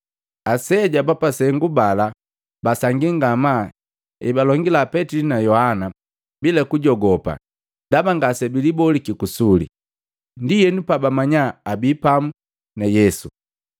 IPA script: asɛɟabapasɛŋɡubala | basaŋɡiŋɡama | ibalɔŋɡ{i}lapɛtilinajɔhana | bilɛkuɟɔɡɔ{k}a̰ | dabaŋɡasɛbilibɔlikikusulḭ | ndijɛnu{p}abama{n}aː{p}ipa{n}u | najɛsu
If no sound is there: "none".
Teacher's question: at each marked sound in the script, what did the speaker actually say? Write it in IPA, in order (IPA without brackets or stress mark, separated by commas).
i, p, p, ɲ, b, m